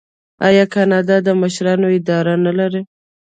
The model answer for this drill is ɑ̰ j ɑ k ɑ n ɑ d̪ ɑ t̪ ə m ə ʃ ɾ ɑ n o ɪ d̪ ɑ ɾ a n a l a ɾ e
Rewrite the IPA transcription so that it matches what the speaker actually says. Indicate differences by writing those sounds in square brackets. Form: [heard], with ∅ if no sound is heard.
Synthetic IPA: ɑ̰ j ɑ k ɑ n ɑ d̪ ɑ [d̪] ə m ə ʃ ɾ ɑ n o ɪ d̪ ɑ ɾ a n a l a ɾ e